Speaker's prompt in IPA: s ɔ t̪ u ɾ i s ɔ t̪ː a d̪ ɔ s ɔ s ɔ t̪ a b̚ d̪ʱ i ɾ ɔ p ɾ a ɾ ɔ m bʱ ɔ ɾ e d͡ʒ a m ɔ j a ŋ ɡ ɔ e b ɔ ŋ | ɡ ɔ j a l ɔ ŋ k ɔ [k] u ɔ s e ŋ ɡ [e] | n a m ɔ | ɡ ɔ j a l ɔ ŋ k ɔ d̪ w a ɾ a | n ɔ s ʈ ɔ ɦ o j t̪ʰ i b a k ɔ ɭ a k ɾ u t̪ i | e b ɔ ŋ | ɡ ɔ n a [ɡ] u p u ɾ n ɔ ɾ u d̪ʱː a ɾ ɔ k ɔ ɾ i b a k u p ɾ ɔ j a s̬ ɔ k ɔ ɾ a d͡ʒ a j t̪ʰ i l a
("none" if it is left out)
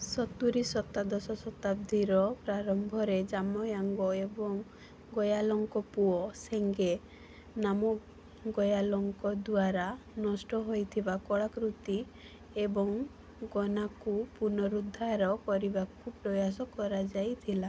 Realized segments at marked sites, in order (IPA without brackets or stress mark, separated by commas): p, e, k